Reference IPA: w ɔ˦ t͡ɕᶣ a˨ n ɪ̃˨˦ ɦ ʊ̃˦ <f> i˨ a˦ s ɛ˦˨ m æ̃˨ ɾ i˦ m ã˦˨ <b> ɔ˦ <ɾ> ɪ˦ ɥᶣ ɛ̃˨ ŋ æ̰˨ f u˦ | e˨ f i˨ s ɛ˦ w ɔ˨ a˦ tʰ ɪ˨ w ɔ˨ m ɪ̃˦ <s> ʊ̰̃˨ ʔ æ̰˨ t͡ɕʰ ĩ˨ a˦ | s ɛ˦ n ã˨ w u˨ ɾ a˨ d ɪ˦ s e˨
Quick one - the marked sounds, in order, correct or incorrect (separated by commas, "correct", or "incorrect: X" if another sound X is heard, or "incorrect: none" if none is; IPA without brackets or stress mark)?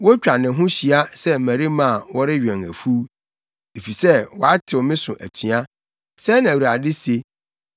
incorrect: ɕ, incorrect: w, correct, correct